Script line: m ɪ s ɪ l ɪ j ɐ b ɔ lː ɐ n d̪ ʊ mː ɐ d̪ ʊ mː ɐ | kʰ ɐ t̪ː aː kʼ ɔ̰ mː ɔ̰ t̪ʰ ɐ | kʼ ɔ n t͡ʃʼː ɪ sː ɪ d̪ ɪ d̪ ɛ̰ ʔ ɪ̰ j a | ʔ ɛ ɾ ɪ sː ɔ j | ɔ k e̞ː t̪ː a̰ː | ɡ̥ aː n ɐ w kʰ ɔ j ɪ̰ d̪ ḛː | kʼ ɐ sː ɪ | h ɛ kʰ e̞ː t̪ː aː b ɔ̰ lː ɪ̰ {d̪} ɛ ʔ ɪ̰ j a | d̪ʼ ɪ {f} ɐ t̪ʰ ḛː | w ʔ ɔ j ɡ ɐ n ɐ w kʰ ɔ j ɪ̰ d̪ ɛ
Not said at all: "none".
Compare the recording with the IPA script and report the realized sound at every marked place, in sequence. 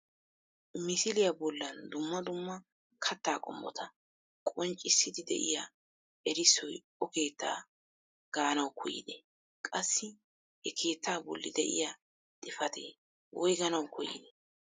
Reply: d̪, f

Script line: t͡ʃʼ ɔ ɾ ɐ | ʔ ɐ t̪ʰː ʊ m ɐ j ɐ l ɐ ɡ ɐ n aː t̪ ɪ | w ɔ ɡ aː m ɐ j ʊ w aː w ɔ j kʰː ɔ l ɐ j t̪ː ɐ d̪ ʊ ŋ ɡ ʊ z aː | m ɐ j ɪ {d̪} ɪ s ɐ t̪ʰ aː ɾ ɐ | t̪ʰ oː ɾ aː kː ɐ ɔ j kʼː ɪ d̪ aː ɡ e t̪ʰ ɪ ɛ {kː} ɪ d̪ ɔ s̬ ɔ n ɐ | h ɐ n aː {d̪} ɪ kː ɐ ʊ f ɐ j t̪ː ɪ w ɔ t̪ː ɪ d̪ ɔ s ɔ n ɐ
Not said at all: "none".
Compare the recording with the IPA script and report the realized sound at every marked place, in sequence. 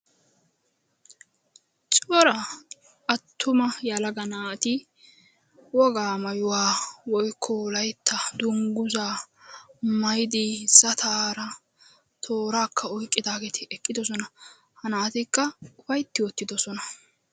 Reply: d̪, kʼː, t̪

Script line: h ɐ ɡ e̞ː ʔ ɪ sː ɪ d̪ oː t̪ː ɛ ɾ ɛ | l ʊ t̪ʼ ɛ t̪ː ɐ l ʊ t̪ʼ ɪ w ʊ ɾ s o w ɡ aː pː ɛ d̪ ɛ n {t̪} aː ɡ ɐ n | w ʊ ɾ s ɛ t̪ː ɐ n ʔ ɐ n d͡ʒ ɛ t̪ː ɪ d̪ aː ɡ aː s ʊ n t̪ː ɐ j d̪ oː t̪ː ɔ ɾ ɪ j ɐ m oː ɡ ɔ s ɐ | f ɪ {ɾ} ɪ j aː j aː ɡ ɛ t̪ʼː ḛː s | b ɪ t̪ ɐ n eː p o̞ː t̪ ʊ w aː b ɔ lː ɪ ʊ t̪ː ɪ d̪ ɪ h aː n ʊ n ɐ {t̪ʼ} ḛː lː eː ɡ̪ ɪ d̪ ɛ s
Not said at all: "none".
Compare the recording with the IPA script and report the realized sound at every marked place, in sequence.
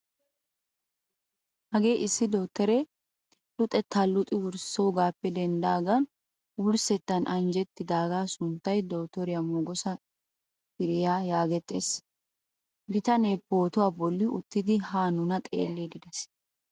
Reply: d̪, ɾ, t̪ʼ

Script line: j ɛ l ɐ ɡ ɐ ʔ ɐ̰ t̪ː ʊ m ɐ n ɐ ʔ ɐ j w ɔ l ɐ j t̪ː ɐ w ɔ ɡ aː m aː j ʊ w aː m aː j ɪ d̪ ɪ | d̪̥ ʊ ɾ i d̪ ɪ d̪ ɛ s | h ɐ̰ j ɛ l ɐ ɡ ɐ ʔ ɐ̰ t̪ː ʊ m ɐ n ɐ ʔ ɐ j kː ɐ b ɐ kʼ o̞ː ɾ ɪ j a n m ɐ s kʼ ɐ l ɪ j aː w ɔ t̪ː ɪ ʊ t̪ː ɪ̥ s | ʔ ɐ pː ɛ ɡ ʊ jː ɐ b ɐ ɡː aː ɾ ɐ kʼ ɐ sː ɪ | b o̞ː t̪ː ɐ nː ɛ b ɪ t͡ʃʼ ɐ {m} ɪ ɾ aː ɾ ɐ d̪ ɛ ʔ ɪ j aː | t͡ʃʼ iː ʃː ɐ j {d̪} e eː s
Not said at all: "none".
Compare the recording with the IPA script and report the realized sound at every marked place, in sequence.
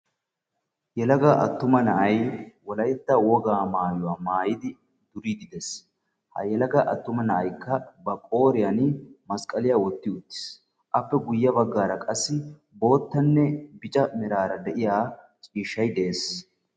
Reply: m, d̪

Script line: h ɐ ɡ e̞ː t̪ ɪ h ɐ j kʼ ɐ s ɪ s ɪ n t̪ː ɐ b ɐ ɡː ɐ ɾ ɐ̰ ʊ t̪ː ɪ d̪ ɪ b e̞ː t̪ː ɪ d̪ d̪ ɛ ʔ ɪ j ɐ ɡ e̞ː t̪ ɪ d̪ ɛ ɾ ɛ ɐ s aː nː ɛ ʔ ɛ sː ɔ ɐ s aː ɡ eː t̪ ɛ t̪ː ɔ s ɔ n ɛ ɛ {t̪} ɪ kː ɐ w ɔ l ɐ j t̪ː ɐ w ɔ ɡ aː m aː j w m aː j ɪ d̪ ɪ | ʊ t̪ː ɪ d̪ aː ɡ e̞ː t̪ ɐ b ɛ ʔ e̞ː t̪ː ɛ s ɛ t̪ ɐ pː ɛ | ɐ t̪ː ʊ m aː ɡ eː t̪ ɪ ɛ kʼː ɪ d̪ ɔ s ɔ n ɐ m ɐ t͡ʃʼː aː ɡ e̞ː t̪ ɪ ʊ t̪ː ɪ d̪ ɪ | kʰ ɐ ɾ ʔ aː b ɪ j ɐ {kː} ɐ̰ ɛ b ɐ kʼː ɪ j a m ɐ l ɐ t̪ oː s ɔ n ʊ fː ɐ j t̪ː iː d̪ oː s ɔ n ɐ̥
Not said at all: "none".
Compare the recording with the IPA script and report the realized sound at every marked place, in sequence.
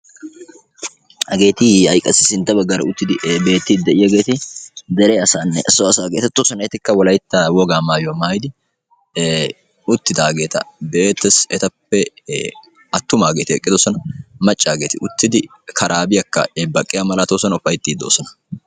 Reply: t̪, kː

